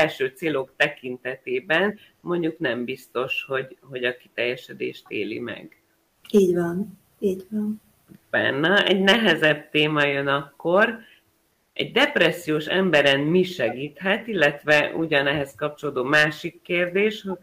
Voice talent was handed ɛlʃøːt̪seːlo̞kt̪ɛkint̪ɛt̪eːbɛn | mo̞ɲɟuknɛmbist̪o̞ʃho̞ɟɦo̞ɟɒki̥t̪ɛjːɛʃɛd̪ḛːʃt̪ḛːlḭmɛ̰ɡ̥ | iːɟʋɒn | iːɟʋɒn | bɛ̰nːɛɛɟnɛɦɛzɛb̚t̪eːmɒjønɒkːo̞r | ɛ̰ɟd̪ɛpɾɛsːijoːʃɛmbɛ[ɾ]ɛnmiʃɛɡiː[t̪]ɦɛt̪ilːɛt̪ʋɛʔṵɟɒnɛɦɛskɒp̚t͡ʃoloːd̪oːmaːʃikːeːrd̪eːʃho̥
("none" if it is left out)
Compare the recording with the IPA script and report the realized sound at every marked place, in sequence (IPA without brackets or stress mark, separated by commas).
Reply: ɾ, t̪